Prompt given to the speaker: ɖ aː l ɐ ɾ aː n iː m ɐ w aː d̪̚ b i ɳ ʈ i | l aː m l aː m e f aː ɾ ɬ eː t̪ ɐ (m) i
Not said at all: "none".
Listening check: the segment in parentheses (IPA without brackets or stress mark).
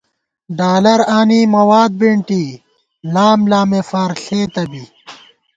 b